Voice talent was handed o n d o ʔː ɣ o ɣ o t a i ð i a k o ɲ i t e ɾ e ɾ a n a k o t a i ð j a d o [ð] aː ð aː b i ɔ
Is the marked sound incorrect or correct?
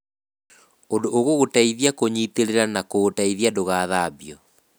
incorrect